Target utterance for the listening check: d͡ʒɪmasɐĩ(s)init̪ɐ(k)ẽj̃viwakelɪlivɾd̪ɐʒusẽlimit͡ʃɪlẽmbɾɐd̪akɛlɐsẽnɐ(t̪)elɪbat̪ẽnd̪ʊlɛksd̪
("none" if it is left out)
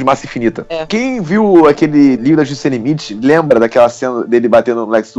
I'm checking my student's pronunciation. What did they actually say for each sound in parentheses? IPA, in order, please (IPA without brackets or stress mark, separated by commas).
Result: f, k, d̪